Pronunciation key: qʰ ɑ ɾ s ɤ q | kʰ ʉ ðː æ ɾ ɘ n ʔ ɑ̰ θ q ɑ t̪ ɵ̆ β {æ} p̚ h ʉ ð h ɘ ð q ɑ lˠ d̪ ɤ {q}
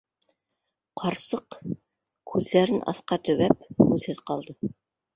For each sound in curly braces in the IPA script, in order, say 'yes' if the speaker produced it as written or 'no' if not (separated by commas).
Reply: yes, no